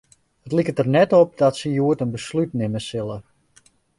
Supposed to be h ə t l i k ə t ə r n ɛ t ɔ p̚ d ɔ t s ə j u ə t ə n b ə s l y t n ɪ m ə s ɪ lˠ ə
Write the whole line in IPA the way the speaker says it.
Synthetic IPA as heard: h ə t l i k ə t ə r n ɛ t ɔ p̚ d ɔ t s ə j u ə t ə n b ə s l y t n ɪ m ə s ɪ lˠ ə